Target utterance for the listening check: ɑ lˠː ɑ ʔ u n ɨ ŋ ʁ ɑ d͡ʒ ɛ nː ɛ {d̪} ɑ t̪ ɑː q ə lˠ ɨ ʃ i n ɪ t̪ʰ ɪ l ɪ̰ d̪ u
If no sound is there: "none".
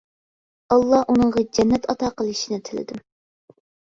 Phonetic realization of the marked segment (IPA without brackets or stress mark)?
t̪